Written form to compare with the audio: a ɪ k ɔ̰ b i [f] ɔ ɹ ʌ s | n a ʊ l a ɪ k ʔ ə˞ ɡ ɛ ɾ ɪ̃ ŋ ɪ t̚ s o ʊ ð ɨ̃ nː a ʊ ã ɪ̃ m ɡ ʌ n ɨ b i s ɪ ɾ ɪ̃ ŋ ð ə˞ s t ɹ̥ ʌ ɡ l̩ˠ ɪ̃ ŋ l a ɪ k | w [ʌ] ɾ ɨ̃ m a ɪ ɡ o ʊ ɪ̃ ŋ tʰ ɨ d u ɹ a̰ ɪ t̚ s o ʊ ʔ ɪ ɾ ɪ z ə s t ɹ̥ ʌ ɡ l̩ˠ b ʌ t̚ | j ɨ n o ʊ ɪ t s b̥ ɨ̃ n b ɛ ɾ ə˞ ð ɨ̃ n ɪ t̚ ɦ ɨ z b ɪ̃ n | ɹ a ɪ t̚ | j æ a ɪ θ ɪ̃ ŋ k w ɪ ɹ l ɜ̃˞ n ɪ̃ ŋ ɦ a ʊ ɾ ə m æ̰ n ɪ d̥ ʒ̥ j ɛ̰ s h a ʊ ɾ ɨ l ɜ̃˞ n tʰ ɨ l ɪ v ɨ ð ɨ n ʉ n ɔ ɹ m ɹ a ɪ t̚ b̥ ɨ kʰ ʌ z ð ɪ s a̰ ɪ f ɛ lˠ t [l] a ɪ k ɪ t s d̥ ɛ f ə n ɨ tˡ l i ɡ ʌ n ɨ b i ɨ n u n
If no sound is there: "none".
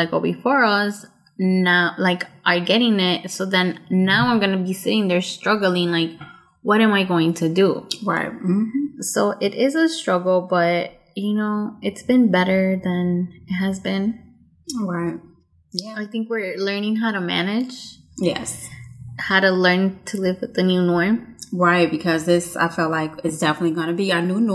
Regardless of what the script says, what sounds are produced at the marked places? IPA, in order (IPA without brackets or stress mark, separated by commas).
f, ʌ, l